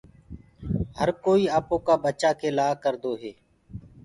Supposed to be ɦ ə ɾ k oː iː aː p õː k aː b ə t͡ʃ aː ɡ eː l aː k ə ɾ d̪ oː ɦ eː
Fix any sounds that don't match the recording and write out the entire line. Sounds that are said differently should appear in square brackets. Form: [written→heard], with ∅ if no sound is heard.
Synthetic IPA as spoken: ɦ ə ɾ k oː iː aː p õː k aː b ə t͡ʃ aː [ɡ→k] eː l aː k ə ɾ d̪ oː ɦ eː